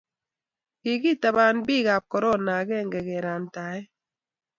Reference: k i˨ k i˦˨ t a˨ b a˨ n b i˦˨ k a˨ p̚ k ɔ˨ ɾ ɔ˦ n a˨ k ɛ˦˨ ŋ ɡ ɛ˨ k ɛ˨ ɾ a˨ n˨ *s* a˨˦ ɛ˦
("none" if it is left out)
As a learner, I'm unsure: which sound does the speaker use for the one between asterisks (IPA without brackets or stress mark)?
t